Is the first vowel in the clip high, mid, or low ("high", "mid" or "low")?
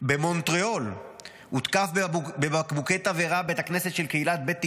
mid